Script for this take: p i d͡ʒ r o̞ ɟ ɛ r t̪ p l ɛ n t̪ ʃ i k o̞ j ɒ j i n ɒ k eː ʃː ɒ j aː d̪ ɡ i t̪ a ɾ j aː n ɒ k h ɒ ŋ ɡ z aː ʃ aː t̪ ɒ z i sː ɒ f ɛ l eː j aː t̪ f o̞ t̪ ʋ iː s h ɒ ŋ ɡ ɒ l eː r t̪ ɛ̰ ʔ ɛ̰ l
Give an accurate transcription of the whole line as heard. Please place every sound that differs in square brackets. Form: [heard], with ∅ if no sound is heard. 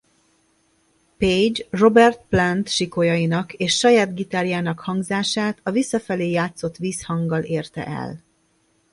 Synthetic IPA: p [e] d͡ʒ r o̞ [b] ɛ r t̪ p l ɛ n t̪ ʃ i k o̞ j ɒ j i n ɒ k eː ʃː ɒ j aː d̪ ɡ i t̪ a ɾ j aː n ɒ k h ɒ ŋ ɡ z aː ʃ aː t̪ ɒ [v] i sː ɒ f ɛ l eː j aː t̪ [s] o̞ t̪ ʋ iː s h ɒ ŋ ɡ ɒ l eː r t̪ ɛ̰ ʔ ɛ̰ l